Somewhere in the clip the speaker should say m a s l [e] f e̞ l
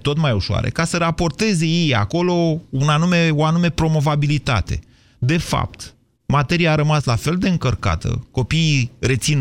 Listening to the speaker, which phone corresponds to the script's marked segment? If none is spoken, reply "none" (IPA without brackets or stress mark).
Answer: a